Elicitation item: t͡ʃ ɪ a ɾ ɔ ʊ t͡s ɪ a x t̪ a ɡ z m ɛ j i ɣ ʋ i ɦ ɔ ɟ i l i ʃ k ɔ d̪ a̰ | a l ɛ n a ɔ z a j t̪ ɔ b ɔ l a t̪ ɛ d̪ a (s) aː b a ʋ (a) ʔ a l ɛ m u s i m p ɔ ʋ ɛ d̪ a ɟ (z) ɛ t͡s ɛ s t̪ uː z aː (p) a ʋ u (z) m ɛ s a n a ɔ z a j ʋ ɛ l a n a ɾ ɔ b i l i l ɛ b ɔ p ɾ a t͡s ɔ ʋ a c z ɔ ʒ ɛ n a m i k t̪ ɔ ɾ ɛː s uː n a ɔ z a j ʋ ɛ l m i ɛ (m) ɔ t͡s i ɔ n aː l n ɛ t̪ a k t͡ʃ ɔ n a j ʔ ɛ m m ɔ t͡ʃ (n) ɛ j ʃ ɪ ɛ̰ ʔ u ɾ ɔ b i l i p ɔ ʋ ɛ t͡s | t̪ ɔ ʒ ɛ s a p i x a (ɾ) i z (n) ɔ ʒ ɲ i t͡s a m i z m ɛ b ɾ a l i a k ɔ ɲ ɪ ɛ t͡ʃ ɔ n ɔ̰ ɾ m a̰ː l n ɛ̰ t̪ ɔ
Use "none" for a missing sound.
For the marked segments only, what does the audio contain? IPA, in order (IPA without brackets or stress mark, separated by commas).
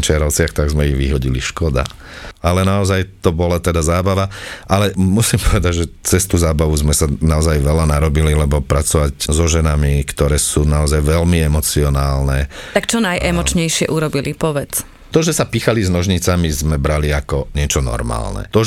z, a, ʒ, b, z, m, ɲ, l, n